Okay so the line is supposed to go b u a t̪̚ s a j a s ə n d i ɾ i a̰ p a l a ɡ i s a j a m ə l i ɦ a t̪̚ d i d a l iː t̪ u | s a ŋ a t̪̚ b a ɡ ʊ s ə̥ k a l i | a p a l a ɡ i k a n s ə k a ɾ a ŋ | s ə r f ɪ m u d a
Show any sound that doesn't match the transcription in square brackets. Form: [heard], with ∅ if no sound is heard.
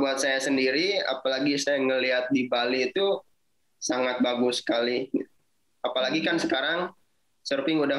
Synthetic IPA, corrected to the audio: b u a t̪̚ s a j a s ə n d i ɾ i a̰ p a l a ɡ i s a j a [ŋ] ə l i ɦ a t̪̚ d i [b] a l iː t̪ u | s a ŋ a t̪̚ b a ɡ ʊ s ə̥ k a l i | a p a l a ɡ i k a n s ə k a ɾ a ŋ | s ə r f ɪ [ŋ] u d a